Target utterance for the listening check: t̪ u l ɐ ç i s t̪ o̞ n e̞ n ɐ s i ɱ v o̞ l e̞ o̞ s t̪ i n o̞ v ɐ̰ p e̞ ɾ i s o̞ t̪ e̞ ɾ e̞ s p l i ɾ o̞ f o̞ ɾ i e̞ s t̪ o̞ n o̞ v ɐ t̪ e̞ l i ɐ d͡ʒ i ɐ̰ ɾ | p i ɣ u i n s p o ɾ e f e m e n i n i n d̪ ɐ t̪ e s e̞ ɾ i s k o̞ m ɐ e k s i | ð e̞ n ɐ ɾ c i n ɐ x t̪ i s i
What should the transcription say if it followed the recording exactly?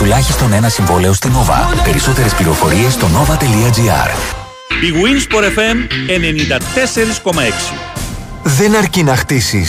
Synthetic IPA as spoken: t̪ u l ɐ ç i s t̪ o̞ n e̞ n ɐ s i ɱ v o̞ l e̞ o̞ s t̪ i n o̞ v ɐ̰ p e̞ ɾ i s o̞ t̪ e̞ ɾ e̞ s p l i ɾ o̞ f o̞ ɾ i e̞ s t̪ o̞ n o̞ v ɐ t̪ e̞ l i ɐ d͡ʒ i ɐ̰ ɾ | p i ɣ u i n s p o ɾ e f e m e n e n i n d̪ ɐ t̪ e s e̞ ɾ i s k o̞ m ɐ e k s i | ð e̞ n ɐ ɾ c i n ɐ x t̪ i s i